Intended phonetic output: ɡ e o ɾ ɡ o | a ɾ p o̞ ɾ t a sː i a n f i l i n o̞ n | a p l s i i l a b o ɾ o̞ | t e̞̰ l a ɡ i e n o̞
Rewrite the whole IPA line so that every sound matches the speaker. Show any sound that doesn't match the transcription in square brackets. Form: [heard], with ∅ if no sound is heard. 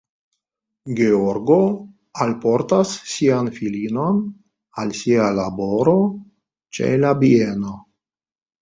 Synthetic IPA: ɡ e o ɾ ɡ o | a [l] p o̞ ɾ t a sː i a n f i l i n o̞ n | a [∅] l s i [a] l a b o ɾ o̞ | [t͡ʃ] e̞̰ l a [b] i e n o̞